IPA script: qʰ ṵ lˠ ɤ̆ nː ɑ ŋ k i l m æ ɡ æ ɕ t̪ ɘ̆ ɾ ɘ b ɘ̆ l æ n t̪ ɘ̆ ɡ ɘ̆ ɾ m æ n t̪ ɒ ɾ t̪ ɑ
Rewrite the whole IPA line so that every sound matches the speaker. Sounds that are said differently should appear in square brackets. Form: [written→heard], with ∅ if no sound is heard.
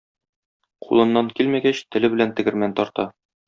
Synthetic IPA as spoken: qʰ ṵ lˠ ɤ̆ nː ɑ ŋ k i l m æ ɡ æ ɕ t̪ ɘ̆ [ɾ→l] ɘ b ɘ̆ l æ n t̪ ɘ̆ ɡ ɘ̆ ɾ m æ n t̪ ɒ ɾ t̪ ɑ